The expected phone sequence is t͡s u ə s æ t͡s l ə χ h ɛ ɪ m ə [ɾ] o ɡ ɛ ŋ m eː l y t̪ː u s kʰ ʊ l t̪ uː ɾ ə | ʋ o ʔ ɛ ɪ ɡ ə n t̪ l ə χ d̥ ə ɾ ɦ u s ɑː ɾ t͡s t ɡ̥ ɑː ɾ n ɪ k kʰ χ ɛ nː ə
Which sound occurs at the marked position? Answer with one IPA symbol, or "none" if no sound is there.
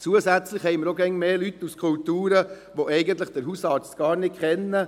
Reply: ɾ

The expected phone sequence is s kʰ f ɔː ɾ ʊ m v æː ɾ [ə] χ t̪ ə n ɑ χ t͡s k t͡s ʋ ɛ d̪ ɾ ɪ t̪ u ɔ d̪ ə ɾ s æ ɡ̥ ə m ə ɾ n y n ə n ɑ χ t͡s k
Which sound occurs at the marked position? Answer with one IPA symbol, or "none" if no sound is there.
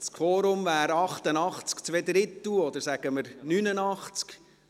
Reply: ɑ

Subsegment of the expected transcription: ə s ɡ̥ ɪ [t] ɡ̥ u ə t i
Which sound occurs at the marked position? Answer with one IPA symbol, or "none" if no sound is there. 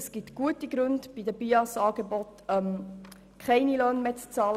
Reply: t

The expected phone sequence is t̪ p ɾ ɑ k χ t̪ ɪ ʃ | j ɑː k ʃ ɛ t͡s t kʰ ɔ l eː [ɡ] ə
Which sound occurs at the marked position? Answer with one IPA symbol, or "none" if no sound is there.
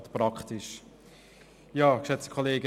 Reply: ɡ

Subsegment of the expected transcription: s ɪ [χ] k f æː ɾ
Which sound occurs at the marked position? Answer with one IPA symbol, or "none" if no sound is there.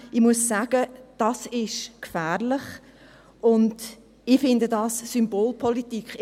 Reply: ʃ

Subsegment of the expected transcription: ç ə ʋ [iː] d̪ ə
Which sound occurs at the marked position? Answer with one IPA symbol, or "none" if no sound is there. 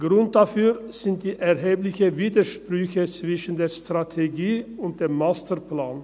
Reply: iː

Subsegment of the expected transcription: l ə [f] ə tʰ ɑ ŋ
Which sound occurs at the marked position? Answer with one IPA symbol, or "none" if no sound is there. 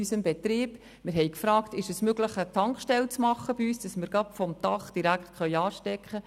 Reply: χ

